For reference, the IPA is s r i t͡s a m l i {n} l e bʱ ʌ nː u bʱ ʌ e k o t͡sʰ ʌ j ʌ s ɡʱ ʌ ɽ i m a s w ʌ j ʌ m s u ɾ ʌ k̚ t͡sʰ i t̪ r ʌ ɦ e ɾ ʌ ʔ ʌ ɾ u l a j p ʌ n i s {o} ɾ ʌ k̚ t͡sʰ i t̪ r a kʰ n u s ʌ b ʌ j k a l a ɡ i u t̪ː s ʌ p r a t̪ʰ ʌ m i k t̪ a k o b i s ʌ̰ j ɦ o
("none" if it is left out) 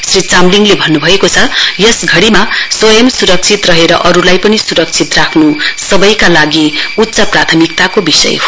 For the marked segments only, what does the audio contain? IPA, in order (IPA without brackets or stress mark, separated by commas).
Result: ŋ, u